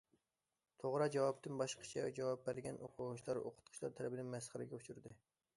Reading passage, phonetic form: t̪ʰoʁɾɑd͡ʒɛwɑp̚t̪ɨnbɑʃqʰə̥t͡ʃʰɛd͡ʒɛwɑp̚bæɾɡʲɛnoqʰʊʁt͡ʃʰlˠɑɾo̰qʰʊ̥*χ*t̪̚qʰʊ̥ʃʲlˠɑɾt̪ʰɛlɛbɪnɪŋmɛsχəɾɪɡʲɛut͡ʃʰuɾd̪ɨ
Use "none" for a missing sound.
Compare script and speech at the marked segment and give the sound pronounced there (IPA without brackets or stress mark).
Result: none